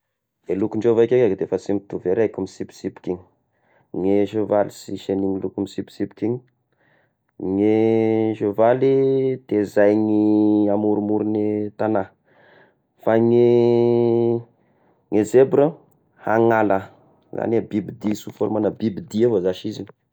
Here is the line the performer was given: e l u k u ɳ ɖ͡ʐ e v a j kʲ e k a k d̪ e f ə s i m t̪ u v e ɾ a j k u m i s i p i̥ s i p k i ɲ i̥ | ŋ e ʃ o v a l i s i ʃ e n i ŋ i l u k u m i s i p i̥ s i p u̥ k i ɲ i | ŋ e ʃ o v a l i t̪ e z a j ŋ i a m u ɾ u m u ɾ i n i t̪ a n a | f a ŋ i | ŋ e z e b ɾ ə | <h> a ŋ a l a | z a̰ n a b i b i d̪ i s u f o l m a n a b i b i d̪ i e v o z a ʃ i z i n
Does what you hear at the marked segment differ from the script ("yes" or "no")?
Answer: no